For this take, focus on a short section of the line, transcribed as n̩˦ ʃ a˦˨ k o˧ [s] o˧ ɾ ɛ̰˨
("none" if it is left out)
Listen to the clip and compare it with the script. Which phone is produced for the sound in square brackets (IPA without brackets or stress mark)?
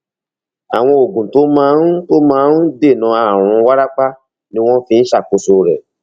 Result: s